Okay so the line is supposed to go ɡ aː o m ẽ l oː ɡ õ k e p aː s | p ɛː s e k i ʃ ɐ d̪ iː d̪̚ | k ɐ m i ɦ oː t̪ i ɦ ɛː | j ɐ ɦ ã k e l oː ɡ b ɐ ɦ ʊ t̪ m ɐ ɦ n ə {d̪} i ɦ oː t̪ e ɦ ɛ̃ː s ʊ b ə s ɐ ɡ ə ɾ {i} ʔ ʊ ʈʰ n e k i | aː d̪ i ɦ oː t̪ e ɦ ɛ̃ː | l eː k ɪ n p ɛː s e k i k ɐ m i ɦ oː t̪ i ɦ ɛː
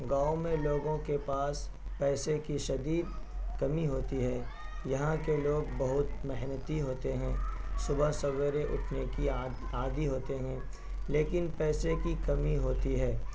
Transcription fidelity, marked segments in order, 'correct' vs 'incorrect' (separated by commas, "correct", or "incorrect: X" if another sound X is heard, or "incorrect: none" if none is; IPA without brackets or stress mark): incorrect: t̪, incorrect: e